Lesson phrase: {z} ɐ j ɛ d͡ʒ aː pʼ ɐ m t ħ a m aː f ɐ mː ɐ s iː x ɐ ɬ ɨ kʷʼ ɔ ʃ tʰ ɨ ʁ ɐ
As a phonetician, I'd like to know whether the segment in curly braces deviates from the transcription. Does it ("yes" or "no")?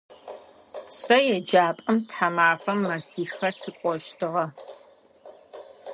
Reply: yes